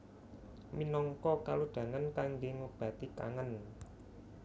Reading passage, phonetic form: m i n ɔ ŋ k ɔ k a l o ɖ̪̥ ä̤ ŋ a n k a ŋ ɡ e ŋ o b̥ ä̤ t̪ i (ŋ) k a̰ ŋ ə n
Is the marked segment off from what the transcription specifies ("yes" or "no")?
yes